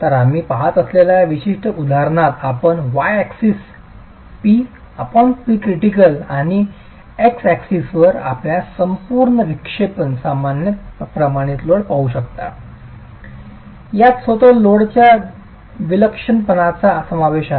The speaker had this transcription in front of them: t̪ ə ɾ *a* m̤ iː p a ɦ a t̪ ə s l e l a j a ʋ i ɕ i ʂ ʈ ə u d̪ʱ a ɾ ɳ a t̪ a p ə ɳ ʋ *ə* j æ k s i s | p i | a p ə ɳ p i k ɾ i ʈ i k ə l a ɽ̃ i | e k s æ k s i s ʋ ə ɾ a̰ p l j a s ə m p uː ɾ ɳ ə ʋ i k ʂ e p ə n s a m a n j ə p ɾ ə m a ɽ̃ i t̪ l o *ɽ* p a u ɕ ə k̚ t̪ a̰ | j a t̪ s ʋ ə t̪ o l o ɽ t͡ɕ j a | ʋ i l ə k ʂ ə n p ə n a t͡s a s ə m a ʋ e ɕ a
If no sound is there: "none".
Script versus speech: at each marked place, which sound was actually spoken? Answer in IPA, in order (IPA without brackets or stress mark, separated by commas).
a, a, ɽ